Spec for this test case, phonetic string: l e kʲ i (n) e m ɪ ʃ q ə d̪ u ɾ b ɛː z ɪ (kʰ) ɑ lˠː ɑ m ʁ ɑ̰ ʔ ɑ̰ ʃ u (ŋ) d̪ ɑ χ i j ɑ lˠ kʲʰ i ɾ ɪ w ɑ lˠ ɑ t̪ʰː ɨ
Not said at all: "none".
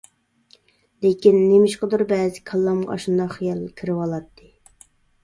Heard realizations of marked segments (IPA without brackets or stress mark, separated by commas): nː, kʰ, n